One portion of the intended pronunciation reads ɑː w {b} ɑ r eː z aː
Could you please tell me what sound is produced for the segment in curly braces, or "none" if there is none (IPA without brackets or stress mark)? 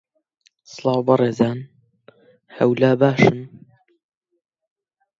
b